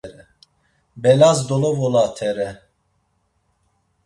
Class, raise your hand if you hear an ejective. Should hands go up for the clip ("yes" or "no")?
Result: no